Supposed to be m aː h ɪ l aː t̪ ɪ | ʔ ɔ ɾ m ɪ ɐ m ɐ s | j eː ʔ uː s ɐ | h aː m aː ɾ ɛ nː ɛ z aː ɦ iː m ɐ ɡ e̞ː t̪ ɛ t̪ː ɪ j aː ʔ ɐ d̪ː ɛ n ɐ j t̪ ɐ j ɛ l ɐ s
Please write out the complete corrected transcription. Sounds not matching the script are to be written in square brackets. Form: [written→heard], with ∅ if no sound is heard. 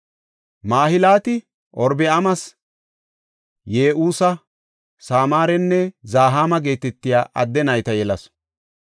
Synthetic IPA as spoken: m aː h ɪ l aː t̪ ɪ | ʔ ɔ ɾ [m→b] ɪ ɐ m ɐ s | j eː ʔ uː s ɐ | [h→s] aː m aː ɾ ɛ nː ɛ z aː ɦ [iː→aː] m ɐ ɡ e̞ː t̪ ɛ t̪ː ɪ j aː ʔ ɐ d̪ː ɛ n ɐ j t̪ ɐ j ɛ l ɐ s